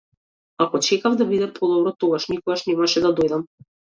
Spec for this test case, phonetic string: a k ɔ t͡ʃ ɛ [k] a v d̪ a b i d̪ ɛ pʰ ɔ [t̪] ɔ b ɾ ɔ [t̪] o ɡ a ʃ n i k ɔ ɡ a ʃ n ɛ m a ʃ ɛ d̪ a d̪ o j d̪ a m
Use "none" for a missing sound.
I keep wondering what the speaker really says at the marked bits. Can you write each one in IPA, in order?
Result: k, d̪, t̪

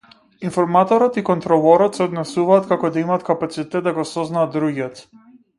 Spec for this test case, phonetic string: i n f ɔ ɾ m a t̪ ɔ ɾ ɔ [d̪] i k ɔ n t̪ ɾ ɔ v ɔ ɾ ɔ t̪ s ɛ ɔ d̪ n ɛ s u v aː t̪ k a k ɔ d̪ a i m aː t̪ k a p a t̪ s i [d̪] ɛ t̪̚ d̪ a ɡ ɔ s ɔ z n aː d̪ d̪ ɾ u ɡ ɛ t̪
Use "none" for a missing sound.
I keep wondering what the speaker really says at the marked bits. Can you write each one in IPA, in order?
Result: t̪, t̪

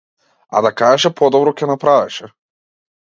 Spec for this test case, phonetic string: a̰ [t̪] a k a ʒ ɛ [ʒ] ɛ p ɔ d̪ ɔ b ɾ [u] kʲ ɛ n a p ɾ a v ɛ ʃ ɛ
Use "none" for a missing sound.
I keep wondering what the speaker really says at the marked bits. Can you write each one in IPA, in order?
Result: d̪, ʃ, ɔ

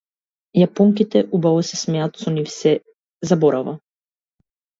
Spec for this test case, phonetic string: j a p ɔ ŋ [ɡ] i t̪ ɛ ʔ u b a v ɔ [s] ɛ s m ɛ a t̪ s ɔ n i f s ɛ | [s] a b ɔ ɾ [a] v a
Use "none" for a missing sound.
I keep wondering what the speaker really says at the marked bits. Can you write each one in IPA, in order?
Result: k, s, z, a

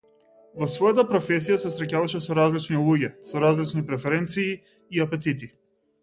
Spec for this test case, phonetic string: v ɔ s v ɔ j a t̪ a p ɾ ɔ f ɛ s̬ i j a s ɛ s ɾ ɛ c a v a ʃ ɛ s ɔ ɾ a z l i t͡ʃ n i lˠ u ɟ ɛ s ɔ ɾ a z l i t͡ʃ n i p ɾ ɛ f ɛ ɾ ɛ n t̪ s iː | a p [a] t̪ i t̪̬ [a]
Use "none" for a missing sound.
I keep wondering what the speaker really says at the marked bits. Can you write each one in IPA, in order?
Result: ɛ, i

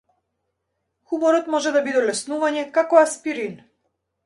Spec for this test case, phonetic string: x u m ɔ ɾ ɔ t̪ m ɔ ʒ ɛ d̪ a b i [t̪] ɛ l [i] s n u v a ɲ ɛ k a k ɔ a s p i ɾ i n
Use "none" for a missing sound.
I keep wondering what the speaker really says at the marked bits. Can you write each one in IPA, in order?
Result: d̪, ɛ

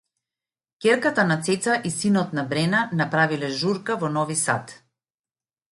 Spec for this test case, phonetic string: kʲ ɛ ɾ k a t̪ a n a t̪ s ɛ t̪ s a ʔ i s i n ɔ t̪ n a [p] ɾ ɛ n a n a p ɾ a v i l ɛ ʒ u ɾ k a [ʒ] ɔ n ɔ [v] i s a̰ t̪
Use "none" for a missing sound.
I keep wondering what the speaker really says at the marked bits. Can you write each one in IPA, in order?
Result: b, v, v

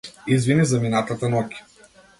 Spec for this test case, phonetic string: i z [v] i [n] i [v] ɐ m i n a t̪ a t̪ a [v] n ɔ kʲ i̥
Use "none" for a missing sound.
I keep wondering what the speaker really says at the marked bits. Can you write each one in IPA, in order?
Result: v, n, z, none

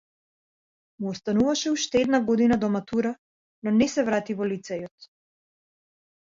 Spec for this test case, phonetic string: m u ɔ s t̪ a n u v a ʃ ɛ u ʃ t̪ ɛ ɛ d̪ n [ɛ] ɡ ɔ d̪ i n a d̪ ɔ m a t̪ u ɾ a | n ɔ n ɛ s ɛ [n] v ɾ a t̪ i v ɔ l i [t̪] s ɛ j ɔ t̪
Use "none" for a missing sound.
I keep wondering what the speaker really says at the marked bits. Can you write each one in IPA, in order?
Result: a, none, t̪

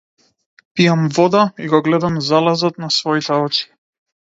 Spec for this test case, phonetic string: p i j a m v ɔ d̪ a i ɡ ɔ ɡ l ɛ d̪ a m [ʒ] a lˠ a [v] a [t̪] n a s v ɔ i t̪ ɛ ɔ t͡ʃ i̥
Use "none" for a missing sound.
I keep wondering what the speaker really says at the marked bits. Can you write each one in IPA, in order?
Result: z, z, t̪

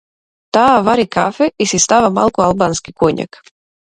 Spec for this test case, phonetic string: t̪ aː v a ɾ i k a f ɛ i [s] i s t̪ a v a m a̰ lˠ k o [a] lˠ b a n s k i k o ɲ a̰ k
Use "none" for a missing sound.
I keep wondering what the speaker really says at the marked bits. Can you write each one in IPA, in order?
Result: s, a

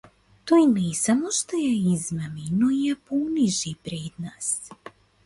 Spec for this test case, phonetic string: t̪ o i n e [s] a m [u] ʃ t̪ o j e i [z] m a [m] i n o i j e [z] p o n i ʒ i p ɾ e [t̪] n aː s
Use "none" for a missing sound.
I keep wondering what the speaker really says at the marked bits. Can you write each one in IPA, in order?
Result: s, o, z, m, none, d̪

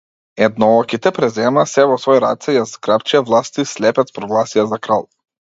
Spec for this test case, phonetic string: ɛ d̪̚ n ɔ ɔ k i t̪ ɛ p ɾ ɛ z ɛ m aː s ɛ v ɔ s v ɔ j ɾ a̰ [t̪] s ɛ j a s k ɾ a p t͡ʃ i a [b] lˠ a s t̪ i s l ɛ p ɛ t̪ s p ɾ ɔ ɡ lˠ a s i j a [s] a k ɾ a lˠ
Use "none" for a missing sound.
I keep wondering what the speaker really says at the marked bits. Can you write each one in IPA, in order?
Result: t̪, v, z

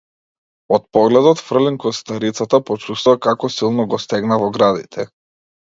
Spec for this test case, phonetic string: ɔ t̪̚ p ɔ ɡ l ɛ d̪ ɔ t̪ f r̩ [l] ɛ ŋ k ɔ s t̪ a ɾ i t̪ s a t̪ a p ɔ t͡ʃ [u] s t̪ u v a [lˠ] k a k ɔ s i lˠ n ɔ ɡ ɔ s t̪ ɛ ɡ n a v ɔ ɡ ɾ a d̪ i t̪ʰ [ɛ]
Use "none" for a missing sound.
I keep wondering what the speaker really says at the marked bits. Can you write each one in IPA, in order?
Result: l, u, none, ɛ

